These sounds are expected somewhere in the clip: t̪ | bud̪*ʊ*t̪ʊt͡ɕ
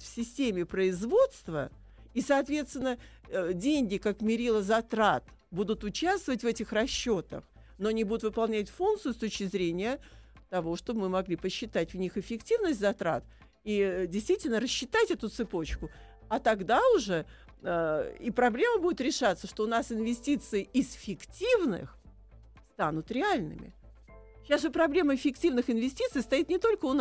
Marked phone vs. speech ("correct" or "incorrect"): correct